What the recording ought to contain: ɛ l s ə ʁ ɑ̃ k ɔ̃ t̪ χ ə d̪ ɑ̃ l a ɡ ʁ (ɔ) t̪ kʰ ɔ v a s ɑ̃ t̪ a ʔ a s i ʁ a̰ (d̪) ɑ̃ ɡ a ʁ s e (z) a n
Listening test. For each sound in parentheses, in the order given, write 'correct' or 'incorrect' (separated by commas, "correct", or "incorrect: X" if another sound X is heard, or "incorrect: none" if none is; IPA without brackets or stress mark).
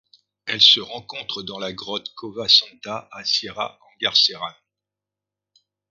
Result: correct, incorrect: none, incorrect: ʁ